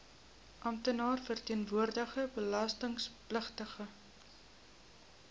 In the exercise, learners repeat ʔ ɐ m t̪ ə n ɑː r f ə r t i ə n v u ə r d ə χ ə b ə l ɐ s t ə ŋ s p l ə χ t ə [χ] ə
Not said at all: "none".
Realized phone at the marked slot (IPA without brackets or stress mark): χ